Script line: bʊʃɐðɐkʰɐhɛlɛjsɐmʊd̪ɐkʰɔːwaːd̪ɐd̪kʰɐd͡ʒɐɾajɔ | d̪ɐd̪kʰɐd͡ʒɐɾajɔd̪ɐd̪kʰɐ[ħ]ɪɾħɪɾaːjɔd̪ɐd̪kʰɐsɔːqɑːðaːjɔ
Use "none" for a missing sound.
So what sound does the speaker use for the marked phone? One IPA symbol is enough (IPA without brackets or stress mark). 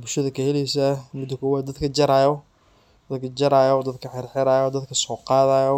ħ